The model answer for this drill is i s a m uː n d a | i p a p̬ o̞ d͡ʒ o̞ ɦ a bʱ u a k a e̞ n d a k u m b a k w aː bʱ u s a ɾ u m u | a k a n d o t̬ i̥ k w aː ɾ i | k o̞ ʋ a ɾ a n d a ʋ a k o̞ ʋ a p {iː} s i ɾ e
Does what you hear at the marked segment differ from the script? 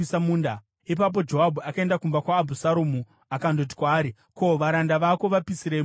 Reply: yes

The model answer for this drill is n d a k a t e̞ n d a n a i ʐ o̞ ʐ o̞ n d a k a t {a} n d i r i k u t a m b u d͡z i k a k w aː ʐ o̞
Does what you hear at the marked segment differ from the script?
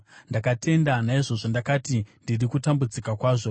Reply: yes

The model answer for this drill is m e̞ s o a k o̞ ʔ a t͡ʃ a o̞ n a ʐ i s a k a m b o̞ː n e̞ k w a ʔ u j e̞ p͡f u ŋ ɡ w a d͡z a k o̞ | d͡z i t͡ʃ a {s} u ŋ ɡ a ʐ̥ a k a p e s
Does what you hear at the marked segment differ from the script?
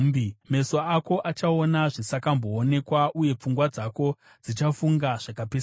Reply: yes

